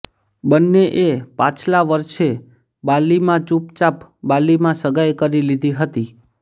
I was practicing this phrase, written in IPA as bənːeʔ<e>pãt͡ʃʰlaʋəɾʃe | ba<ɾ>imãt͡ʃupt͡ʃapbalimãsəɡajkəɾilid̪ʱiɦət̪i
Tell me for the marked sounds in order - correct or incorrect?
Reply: correct, incorrect

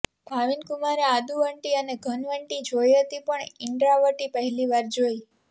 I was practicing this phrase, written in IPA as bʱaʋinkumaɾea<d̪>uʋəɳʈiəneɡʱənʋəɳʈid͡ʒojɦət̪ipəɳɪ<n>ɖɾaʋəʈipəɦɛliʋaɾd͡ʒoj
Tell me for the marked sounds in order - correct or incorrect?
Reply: correct, incorrect

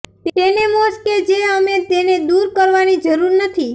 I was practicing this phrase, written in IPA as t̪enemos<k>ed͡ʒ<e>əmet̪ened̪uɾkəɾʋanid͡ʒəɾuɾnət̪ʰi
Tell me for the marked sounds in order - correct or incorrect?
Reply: correct, correct

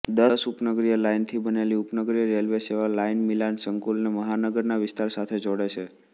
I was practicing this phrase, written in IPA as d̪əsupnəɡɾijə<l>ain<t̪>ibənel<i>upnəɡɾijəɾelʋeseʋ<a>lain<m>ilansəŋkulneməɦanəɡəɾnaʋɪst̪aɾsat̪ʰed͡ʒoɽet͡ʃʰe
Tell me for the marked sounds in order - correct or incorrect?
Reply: correct, incorrect, correct, correct, correct

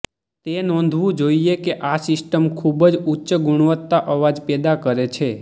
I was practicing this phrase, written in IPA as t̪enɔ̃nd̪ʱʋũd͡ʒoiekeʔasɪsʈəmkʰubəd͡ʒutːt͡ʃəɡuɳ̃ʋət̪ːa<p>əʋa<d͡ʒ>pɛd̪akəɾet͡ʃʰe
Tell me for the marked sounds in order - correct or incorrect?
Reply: incorrect, correct

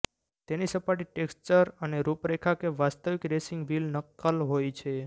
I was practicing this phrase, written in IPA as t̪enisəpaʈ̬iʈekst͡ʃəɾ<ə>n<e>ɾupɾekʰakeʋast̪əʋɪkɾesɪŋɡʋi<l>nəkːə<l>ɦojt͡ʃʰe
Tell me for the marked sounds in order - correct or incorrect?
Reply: correct, correct, correct, correct

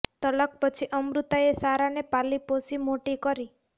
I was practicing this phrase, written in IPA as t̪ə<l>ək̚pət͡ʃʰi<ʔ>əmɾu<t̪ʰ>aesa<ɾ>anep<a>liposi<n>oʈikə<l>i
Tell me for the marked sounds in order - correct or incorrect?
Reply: correct, correct, incorrect, correct, correct, incorrect, incorrect

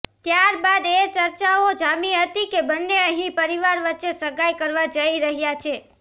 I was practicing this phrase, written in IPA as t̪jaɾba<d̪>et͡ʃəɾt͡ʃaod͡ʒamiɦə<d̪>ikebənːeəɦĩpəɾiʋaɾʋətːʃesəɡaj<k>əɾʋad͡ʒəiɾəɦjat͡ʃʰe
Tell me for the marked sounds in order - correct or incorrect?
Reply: correct, incorrect, correct

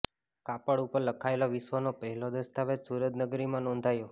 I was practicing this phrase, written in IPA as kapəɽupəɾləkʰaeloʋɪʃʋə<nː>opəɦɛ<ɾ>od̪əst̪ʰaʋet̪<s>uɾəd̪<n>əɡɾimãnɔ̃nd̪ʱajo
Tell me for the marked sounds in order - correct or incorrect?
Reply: incorrect, incorrect, correct, correct

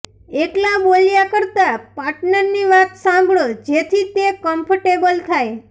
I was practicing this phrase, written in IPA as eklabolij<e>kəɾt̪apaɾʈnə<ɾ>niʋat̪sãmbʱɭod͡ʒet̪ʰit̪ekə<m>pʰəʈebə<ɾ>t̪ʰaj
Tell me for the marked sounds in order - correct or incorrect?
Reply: incorrect, correct, correct, incorrect

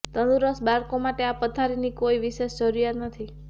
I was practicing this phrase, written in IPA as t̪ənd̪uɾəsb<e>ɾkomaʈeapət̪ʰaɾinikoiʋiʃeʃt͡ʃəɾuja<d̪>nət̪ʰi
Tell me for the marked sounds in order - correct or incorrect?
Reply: incorrect, incorrect

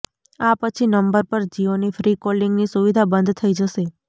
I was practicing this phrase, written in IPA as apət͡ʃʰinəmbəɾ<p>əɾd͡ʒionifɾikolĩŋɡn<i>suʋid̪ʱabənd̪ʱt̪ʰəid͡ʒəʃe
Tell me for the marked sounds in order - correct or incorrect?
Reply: correct, correct

